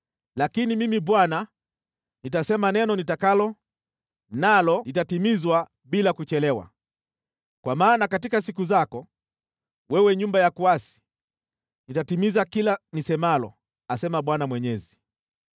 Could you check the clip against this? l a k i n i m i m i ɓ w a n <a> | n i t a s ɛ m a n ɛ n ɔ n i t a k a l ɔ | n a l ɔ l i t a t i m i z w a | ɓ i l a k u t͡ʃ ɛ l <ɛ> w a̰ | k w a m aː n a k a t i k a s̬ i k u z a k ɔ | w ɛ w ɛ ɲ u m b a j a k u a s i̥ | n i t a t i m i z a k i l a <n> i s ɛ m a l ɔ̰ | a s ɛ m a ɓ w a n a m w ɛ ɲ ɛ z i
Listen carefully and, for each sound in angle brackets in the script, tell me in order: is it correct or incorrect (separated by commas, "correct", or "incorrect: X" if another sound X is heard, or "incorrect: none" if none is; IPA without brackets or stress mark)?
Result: correct, correct, correct